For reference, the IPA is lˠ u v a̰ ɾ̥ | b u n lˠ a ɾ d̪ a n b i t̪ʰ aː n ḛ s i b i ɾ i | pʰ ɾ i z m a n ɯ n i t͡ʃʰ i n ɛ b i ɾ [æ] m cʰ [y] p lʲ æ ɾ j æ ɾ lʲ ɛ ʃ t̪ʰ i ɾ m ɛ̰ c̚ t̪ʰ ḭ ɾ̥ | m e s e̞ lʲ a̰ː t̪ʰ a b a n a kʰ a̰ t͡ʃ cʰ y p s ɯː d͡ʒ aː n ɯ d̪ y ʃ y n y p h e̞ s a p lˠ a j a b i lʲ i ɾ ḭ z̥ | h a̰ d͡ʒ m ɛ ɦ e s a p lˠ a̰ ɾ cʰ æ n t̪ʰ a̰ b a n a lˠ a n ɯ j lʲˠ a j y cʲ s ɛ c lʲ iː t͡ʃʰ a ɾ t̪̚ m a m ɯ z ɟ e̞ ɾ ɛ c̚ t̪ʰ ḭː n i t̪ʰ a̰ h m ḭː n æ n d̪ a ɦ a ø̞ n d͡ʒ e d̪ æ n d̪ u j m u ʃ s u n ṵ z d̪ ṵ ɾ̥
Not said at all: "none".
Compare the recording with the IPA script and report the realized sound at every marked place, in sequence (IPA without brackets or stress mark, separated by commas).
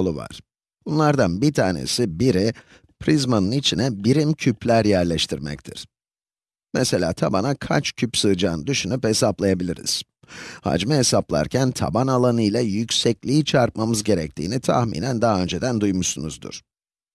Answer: i, y